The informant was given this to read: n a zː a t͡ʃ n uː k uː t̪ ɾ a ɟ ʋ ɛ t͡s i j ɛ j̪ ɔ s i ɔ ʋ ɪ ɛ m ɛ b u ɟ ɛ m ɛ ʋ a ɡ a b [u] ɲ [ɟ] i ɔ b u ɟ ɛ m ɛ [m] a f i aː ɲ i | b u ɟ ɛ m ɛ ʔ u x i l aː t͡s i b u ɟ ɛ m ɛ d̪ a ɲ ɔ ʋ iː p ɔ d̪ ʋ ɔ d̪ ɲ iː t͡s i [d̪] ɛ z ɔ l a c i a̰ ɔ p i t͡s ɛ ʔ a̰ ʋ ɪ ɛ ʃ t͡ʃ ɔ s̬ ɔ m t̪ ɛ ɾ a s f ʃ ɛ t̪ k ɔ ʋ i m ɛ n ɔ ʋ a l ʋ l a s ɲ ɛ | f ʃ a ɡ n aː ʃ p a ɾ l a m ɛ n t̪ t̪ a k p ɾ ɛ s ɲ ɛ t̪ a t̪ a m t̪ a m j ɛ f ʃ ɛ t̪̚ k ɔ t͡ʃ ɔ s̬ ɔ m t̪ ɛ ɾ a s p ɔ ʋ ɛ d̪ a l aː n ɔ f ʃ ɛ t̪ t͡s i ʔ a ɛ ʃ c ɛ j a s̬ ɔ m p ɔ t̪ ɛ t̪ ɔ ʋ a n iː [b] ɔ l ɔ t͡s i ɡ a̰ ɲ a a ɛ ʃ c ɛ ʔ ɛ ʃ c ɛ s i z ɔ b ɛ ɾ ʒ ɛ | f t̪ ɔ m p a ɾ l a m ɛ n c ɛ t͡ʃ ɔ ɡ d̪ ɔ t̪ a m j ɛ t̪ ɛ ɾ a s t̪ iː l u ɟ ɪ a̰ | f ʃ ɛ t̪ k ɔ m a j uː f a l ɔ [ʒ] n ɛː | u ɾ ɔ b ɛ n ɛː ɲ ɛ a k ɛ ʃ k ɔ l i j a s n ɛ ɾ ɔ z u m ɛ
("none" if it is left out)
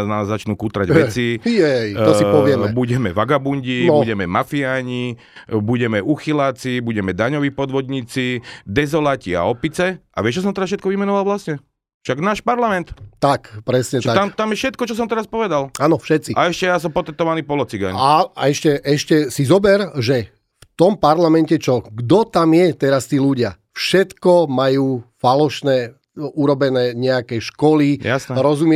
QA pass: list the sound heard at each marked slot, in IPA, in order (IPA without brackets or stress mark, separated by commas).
u, ɟ, m, d̪, p, ʃ